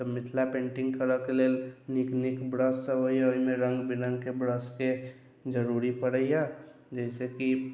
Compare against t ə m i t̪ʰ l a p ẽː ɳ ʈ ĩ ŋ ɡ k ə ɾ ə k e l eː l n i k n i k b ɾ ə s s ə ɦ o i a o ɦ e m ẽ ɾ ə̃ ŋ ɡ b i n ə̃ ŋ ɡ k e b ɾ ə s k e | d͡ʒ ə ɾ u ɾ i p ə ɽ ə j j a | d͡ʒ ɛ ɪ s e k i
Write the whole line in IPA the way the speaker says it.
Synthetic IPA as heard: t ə m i t̪ʰ l a p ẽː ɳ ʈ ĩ ŋ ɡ k ə ɾ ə k e l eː l n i k n i k b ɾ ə s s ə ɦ o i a o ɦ i m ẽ ɾ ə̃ ŋ ɡ b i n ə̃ ŋ ɡ k e b ɾ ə s k e | d͡ʒ ə ɾ u ɾ i p ə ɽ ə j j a | d͡ʒ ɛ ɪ s e k i